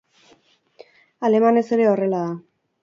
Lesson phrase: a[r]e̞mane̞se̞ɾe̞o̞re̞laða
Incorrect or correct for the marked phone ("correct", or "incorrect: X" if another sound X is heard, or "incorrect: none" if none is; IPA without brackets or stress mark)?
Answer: incorrect: l